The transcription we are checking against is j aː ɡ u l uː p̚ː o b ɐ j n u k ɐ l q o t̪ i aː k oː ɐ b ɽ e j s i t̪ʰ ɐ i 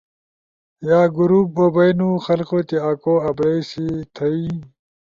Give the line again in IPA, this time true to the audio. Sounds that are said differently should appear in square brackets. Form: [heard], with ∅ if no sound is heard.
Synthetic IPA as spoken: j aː ɡ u [ɾ] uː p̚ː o b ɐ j n u [x] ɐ l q o t̪ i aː k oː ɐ b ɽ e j s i t̪ʰ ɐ i